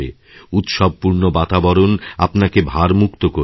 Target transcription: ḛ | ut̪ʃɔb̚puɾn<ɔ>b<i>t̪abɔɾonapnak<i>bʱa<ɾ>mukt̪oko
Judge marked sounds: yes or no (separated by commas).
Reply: no, no, no, yes